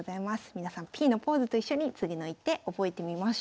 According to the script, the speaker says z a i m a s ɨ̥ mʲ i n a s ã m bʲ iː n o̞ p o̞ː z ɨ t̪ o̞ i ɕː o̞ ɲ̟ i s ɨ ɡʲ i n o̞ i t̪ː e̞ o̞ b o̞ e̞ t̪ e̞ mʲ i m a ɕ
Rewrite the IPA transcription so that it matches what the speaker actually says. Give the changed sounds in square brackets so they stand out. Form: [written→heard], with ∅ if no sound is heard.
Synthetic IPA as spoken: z a i m a s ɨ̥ mʲ i n a s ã m [bʲ→pʲ] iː n o̞ p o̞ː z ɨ t̪ o̞ i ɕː o̞ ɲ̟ i [s→t͡s] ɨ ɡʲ i n o̞ i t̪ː e̞ o̞ b o̞ e̞ t̪ e̞ mʲ i m a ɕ